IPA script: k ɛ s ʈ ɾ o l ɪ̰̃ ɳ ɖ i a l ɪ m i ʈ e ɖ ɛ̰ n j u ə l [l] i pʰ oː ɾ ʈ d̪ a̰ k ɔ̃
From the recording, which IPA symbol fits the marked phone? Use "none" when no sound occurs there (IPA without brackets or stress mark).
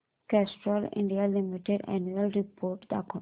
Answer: ɾ